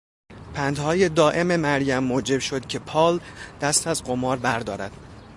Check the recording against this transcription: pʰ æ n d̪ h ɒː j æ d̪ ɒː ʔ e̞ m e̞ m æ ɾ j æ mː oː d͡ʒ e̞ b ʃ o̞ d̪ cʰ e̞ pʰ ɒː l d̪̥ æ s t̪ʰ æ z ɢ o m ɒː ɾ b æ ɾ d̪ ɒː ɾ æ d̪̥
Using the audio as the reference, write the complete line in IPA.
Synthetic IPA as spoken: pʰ æ n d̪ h ɒː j e d̪ ɒː ʔ e̞ m e̞ m æ ɾ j æ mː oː d͡ʒ e̞ b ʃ o̞ d̪ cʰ e̞ pʰ ɒː l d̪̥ æ s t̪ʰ æ z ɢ o m ɒː ɾ b æ ɾ d̪ ɒː ɾ æ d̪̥